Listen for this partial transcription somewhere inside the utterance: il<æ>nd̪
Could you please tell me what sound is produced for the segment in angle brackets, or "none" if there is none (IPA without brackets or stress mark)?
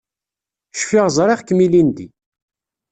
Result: i